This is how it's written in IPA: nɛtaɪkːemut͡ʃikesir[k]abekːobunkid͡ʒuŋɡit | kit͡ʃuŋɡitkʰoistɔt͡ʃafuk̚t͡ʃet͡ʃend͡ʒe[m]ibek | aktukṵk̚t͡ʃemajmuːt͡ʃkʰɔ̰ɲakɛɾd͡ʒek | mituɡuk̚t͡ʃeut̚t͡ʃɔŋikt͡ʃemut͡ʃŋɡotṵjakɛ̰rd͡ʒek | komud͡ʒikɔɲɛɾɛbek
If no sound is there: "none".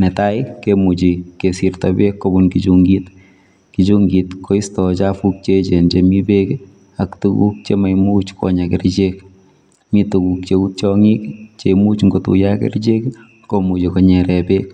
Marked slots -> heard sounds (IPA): t, m

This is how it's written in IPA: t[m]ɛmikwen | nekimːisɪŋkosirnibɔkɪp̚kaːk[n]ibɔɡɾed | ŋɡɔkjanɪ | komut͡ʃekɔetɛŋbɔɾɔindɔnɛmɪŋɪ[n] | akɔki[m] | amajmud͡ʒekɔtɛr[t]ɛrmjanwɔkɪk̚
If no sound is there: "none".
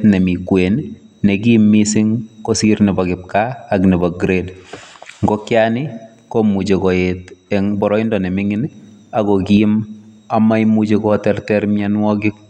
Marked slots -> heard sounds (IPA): n, n, n, m, t

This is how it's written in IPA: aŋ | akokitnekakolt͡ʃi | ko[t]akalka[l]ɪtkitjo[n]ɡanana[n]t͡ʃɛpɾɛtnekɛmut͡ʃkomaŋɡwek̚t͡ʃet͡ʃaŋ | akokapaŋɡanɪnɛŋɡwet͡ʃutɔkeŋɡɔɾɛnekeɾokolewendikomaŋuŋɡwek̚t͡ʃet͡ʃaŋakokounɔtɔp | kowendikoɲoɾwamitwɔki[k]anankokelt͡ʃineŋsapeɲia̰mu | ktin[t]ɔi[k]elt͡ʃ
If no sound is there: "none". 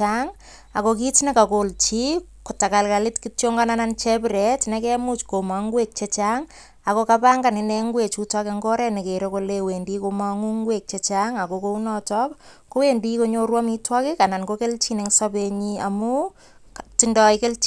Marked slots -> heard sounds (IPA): t, l, ŋ, n, k, d, k

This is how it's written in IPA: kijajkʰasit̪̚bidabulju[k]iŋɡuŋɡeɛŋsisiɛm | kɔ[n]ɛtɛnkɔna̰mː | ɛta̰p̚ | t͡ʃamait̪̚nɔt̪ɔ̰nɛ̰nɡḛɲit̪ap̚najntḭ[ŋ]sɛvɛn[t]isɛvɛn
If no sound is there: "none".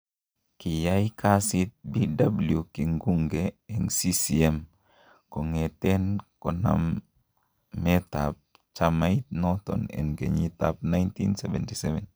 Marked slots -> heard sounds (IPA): k, ŋ, n, t

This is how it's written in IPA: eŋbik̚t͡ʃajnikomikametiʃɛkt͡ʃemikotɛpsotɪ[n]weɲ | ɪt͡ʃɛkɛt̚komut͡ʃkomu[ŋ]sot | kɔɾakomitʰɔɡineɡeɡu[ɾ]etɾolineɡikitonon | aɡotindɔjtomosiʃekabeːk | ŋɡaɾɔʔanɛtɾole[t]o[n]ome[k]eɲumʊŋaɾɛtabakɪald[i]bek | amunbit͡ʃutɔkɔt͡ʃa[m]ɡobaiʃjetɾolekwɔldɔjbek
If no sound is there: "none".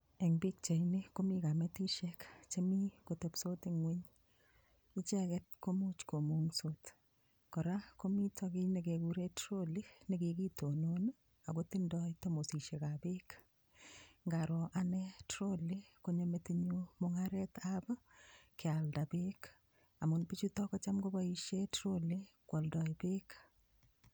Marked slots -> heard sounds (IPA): ŋ, ŋ, ɾ, k, ɲ, t, a, m

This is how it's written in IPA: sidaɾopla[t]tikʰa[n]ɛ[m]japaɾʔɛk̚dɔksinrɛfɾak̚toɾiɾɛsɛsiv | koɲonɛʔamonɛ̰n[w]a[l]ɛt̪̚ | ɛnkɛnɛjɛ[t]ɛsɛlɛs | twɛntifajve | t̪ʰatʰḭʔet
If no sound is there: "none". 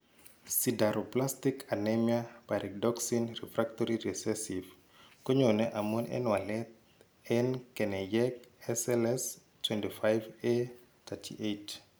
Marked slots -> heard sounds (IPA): s, n, m, w, l, k

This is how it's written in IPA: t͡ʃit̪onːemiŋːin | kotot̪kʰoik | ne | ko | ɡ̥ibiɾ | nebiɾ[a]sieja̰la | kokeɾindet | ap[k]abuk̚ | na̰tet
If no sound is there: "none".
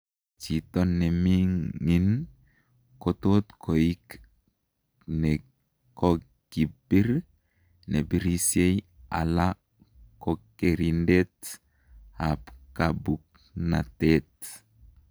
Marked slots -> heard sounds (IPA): i, k

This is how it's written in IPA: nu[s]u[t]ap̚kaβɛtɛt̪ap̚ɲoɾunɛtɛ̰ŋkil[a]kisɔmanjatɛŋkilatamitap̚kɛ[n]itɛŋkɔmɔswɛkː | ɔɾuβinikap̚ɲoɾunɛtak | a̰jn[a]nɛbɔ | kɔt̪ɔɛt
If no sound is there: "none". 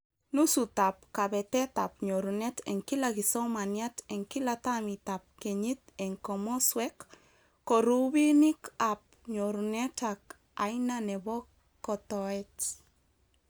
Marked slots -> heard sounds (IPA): s, t, a, ɲ, a

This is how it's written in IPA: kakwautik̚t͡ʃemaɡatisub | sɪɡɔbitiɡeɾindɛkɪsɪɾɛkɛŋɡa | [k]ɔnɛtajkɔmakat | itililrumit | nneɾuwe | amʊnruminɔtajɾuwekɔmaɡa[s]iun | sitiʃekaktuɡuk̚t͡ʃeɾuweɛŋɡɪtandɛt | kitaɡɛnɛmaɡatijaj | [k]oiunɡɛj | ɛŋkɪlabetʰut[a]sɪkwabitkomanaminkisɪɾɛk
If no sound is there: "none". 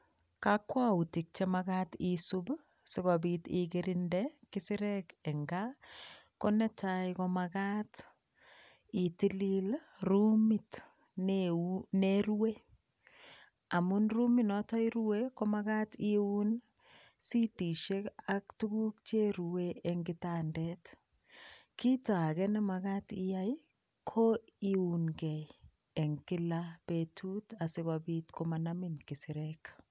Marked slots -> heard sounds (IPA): k, t, kʰ, a

